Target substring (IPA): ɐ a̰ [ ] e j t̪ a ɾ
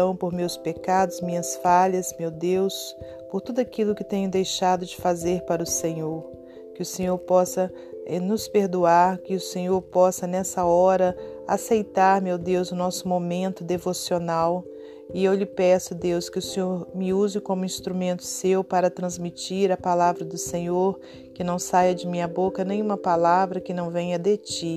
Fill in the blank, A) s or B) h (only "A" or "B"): A